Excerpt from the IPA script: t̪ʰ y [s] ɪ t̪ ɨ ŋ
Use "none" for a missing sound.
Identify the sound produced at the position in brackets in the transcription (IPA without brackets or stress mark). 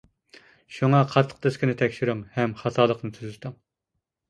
z